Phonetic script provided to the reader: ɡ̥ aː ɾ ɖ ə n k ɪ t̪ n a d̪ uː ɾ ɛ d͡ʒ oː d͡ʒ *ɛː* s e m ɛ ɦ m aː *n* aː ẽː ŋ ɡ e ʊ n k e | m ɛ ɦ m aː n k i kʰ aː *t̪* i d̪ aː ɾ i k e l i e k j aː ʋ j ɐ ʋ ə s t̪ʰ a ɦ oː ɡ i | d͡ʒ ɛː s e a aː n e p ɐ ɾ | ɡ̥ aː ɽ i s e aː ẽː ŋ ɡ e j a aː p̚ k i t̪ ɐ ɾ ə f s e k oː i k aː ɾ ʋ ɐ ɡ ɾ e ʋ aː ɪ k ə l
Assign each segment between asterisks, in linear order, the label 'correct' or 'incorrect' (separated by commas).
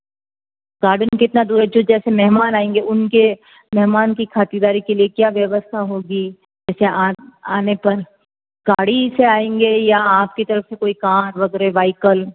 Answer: correct, correct, correct